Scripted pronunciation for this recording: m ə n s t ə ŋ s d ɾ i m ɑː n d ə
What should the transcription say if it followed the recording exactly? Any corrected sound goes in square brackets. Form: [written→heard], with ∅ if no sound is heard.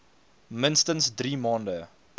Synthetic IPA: m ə n s t ə [ŋ→n] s d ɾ i m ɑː n d ə